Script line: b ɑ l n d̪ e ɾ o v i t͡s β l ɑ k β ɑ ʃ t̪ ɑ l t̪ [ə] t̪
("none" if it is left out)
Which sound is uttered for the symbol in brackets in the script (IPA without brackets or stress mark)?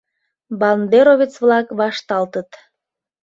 ə